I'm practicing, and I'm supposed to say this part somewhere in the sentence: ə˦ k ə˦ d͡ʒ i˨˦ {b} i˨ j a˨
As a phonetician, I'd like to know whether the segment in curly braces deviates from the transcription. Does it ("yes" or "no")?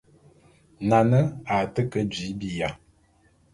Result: no